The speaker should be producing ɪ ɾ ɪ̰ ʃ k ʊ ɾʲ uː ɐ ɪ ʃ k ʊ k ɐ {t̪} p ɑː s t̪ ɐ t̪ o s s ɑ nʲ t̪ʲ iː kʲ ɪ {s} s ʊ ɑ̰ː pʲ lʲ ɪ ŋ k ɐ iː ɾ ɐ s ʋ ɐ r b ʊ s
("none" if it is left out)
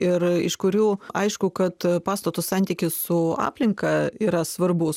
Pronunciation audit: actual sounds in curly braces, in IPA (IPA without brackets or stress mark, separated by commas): t̪, s